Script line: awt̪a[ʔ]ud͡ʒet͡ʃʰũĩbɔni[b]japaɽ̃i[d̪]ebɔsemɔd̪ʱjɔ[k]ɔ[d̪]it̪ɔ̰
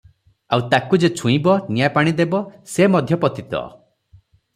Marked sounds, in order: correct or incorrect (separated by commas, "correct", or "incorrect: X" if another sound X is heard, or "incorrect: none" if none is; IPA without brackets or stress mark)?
incorrect: k, incorrect: none, correct, incorrect: p, incorrect: t̪